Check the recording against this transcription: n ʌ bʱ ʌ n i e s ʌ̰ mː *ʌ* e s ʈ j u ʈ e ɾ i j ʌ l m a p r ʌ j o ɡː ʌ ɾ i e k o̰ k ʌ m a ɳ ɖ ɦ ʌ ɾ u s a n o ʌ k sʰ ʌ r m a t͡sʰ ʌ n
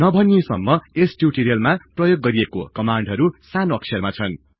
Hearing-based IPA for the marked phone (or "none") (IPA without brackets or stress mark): ʌ